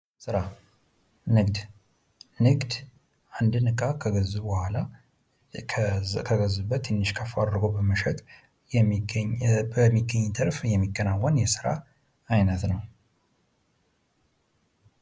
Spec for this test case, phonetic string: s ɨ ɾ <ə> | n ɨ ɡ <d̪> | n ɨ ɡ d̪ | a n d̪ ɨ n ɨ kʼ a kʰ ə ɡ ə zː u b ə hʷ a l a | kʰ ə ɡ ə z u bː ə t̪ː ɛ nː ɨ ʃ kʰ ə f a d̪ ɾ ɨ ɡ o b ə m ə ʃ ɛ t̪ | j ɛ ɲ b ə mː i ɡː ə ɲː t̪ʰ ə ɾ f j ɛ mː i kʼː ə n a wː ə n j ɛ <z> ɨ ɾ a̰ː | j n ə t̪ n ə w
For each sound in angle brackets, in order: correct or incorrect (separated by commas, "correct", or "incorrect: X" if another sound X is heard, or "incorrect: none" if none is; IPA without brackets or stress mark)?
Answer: incorrect: a, correct, incorrect: s